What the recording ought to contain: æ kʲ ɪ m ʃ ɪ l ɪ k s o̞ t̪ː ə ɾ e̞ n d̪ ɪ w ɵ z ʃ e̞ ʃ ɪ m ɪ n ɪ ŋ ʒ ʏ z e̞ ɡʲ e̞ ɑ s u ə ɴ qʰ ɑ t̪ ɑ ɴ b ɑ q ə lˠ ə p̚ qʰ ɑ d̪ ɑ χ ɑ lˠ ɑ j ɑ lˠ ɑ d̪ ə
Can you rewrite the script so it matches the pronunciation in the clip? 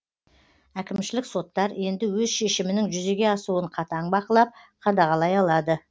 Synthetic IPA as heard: æ kʲ ɪ m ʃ ɪ l ɪ k s o̞ t̪ː ɑ ɾ e̞ n d̪ ɪ w ɵ z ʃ e̞ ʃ ɪ m ɪ n ɪ ŋ ʒ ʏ z e̞ ɡʲ e̞ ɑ s u ə ɴ qʰ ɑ t̪ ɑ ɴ b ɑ q ə lˠ ɑ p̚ qʰ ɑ d̪ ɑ ʁ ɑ lˠ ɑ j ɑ lˠ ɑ d̪ ə

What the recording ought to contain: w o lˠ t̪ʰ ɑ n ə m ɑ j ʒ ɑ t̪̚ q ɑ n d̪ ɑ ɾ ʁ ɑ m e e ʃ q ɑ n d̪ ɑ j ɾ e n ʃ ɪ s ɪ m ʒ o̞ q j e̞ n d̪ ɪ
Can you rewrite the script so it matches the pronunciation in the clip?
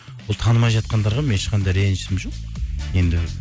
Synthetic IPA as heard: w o lˠ t̪ʰ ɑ n ə m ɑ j ʒ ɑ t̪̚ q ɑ n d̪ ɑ ɾ ʁ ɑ m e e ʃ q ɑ n d̪ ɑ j ɾ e n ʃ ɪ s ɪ m ʒ o̞ q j e̞ n d̪ ɪ

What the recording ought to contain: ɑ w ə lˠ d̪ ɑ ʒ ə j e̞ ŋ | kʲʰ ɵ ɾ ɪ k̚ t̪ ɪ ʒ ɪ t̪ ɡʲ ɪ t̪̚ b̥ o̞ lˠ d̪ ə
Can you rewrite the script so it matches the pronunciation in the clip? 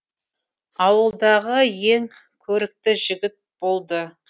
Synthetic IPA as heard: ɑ w ə lˠ d̪ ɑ ʁ ə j e̞ ŋ | kʲʰ ɵ ɾ ɪ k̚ t̪ ɪ ʒ ɪ ɡʲ ɪ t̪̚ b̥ o̞ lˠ d̪ ə

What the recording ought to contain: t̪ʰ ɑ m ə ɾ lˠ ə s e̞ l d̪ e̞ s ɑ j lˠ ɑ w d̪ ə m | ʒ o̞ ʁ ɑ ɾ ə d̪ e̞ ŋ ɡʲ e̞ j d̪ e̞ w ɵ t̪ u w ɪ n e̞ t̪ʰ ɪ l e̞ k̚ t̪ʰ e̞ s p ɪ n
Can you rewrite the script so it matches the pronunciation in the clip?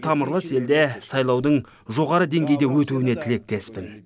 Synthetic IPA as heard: t̪ʰ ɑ m ə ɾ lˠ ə s e̞ l d̪ e̞ s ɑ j lˠ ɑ w d̪ ə ɴ | ʒ o̞ ʁ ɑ ɾ ə d̪ e̞ ŋ ɡʲ e̞ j d̪ e̞ w ɵ t̪ u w ɪ n e̞ t̪ʰ ɪ l e̞ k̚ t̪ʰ e̞ s p ɪ n

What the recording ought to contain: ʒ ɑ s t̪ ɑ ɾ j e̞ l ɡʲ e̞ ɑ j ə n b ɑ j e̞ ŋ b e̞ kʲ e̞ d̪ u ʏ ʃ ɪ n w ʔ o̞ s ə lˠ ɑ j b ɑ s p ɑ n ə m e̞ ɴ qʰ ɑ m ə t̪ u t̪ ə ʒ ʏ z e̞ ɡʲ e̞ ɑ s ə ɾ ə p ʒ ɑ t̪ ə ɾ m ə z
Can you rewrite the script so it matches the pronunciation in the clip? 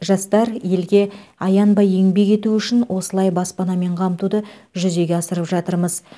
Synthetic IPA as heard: ʒ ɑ s t̪ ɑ ɾ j e̞ l ɡʲ e̞ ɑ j ɑ n b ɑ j e̞ ŋ b e̞ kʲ e̞ t̪ u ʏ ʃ ɪ n w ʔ o̞ s ə lˠ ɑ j b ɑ s p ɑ n ɑ m e̞ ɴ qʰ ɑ m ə t̪ u d̪ ə ʒ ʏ z e̞ ɡʲ e̞ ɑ s ə ɾ ə p ʒ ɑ t̪ ə ɾ m ə z

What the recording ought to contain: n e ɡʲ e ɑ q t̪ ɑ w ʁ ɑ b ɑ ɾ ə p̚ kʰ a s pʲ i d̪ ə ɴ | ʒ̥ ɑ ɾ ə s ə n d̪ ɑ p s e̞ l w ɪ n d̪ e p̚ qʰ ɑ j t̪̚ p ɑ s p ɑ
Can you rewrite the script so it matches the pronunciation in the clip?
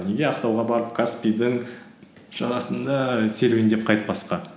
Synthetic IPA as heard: n e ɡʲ e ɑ q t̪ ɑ w ʁ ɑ b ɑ ɾ ə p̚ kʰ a s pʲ i d̪ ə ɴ | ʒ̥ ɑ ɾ ɑ s ə n d̪ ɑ s e̞ l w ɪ n d̪ e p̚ qʰ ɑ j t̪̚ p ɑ s q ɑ

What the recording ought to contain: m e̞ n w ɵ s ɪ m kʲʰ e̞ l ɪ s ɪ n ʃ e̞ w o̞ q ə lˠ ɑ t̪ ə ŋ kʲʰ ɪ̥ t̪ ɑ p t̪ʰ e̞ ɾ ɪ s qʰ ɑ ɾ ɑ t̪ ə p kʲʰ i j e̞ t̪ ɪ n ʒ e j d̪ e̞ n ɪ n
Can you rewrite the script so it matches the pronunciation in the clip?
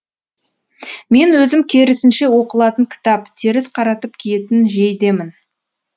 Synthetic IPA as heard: m e̞ n w ɵ z ɪ m kʲʰ e̞ ɾ ɪ s ɪ n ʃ e̞ w o̞ q ə lˠ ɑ t̪ ə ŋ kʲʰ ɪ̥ t̪ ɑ p t̪ʰ e̞ ɾ ɪ s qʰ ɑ ɾ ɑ t̪ ə p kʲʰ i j e̞ t̪ ɪ n ʒ e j d̪ e̞ m ɪ n

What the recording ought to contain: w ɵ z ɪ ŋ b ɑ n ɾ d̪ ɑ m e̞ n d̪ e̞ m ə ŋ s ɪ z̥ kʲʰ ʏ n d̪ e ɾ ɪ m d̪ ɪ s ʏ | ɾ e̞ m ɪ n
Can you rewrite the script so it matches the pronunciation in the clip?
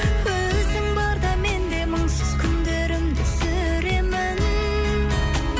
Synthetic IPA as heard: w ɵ z ɪ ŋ b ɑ ɾ d̪ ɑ m e̞ n d̪ e̞ m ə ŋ s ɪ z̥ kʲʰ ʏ n d̪ e ɾ ɪ m d̪ ɪ s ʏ | ɾ e̞ m ɪ n

